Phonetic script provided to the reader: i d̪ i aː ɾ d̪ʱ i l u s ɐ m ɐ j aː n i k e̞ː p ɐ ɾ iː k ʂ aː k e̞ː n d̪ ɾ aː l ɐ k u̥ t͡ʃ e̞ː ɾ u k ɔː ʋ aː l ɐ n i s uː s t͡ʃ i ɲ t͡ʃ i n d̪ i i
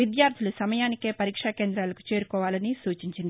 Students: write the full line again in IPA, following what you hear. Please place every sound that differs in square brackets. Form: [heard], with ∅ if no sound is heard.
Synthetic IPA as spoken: i d̪ [j] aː ɾ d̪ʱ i l u s ɐ m ɐ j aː n i k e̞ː p ɐ ɾ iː k ʂ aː k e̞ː n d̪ ɾ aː l ɐ k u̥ t͡ʃ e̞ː ɾ u k ɔː ʋ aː l ɐ n i s uː [∅] t͡ʃ i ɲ t͡ʃ i n d̪ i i